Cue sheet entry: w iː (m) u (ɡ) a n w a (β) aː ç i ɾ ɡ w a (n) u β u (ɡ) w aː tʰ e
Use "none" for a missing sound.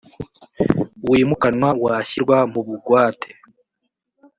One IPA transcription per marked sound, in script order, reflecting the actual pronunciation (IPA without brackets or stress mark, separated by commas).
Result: m, k, w, m, ɡ